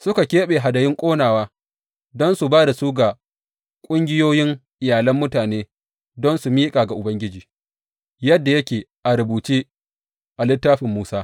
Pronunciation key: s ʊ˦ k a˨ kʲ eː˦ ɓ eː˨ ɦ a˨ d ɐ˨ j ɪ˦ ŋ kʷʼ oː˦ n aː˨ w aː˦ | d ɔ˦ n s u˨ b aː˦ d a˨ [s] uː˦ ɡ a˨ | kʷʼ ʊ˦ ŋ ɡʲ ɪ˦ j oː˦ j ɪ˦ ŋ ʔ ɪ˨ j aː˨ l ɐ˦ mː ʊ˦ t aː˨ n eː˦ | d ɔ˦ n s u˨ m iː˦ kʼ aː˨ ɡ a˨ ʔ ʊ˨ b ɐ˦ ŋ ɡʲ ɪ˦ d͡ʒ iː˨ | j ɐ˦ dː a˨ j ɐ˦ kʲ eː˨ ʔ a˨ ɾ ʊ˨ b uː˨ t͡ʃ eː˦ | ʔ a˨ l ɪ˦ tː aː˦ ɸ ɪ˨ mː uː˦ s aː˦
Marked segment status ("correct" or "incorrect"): correct